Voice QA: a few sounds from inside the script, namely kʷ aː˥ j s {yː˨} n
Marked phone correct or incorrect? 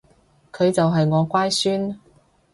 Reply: incorrect